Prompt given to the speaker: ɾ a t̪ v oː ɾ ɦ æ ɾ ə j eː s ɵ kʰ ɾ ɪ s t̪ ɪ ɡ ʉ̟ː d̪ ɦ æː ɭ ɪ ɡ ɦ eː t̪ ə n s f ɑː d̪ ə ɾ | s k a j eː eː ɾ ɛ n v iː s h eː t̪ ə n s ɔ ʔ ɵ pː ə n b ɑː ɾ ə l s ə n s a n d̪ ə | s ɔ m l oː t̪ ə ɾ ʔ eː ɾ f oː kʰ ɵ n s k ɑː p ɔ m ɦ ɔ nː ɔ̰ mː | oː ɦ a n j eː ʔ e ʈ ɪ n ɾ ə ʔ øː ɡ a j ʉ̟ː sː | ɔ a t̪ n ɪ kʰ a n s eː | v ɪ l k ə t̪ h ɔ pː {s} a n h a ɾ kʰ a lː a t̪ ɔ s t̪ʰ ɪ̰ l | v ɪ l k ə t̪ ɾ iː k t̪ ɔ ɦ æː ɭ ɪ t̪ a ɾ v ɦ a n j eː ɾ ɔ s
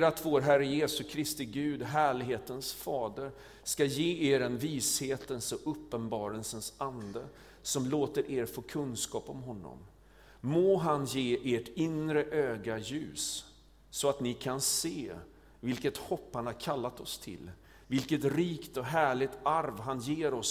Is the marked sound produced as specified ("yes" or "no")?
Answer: no